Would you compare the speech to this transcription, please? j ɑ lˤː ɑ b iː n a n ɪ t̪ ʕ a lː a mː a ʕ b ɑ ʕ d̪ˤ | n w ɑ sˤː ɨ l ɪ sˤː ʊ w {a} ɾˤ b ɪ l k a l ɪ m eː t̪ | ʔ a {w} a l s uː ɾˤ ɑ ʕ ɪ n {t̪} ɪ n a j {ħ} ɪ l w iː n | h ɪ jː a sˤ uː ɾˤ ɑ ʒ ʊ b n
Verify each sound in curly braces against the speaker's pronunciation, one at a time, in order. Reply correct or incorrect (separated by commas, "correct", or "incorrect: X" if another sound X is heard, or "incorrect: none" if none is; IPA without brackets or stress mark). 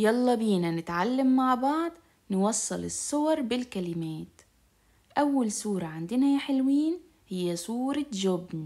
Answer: incorrect: ɑ, incorrect: wː, incorrect: d̪, correct